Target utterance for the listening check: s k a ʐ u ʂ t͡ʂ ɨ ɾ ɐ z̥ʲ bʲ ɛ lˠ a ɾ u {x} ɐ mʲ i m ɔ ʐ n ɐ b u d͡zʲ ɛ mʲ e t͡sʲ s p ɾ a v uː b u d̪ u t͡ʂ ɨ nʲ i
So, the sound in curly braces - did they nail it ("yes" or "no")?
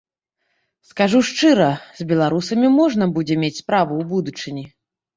no